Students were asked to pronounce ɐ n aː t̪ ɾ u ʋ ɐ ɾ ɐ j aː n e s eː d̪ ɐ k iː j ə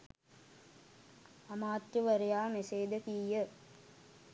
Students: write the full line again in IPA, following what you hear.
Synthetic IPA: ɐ m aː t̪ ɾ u ʋ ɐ ɾ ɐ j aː m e s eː d̪ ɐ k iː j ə